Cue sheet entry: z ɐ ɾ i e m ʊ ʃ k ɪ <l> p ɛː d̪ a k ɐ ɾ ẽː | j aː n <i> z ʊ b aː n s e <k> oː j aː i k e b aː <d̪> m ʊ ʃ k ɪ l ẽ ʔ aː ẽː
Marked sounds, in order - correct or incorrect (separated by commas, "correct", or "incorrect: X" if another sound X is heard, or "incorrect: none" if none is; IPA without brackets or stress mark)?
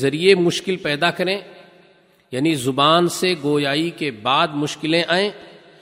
correct, correct, incorrect: ɡ, correct